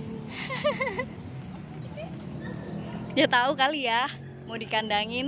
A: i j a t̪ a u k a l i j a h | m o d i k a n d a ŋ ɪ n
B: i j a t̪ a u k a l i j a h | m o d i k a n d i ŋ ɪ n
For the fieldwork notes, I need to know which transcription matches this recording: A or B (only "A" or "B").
A